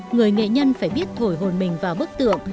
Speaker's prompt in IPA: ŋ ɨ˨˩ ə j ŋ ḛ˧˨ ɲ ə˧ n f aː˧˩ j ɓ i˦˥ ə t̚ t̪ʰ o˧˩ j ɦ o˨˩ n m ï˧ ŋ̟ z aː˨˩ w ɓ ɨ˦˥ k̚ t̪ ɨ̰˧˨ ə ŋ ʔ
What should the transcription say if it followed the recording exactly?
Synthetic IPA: ŋ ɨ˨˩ ə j ŋ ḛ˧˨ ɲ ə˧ n f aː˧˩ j ɓ i˦˥ ə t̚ t̪ʰ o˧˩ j ɦ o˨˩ n m ï˨˩ ŋ̟ v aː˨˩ w ɓ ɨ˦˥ k̚ t̪ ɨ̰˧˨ ə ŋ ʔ